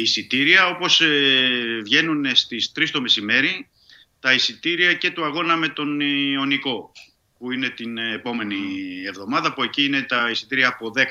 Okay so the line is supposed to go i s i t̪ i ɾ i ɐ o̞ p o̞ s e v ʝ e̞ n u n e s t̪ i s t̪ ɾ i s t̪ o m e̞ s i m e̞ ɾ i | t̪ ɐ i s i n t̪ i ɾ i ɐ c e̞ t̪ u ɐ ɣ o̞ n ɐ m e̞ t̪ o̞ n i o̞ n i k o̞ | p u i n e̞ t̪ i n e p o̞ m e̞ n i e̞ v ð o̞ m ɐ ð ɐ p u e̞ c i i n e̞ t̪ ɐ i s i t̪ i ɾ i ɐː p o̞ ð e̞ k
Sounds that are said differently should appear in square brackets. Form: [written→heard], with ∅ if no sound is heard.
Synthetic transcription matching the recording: i s i t̪ i ɾ i ɐ o̞ p o̞ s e v ʝ e̞ n u n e s t̪ i s t̪ ɾ i s t̪ o m e̞ s i m e̞ ɾ i | t̪ ɐ i s i [n→∅] t̪ i ɾ i ɐ c e̞ t̪ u ɐ ɣ o̞ n ɐ m e̞ t̪ o̞ n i o̞ n i k o̞ | p u i n e̞ t̪ i n e p o̞ m e̞ n i e̞ v ð o̞ m ɐ ð ɐ p u e̞ c i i n e̞ t̪ ɐ i s i t̪ i ɾ i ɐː p o̞ ð e̞ k